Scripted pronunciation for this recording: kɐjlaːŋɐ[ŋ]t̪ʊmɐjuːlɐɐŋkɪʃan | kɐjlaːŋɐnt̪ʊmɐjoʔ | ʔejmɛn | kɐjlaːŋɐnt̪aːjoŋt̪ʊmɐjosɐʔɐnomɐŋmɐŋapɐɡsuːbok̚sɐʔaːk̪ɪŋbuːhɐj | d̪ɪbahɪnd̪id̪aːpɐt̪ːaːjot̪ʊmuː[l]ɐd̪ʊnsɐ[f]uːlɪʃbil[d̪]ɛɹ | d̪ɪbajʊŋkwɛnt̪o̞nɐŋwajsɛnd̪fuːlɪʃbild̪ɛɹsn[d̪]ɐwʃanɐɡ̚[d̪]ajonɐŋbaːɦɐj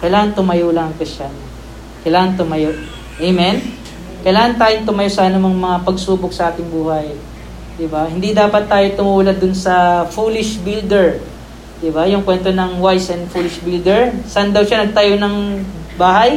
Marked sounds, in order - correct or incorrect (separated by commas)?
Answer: incorrect, correct, correct, correct, correct, incorrect